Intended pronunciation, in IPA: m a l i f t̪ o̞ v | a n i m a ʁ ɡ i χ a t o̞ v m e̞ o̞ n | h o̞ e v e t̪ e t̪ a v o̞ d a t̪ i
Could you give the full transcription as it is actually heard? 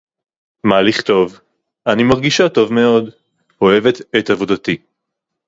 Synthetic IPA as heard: m a l i χ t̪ o̞ v | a n i m a ʁ ɡ i ʃ a t o̞ v m e̞ o̞ d | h o̞ e v e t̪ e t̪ a v o̞ d a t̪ i